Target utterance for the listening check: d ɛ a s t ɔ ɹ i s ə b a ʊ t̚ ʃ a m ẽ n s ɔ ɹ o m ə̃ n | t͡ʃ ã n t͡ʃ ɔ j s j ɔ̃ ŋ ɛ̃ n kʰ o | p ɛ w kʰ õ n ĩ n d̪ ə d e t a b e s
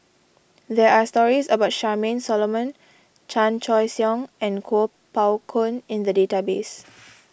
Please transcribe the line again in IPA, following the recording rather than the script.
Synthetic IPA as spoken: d ɛ a s t ɔ ɹ i s ə b a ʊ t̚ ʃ a m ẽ n s ɔ l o m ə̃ n | t͡ʃ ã n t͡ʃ ɔ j s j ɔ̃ ŋ ɛ̃ n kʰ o | p a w kʰ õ n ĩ n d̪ ə d e t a b e s